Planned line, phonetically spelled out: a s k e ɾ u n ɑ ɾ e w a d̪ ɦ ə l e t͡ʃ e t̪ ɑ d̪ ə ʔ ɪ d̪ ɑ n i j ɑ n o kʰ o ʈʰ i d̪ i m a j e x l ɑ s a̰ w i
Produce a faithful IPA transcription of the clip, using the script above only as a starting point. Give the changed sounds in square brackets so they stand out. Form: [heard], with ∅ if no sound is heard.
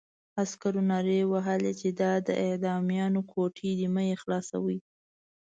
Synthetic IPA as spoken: a s k [a] ɾ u n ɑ ɾ e w a [∅] ɦ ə l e t͡ʃ e [d̪] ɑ d̪ ə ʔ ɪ d̪ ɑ [m] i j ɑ n o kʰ o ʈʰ i d̪ i m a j e x l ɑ s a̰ w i